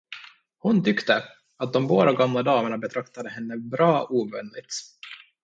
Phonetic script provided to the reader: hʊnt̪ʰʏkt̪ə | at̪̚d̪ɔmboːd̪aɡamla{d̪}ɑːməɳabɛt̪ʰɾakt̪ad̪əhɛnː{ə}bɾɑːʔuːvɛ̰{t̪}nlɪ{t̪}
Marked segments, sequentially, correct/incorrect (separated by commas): correct, correct, incorrect, correct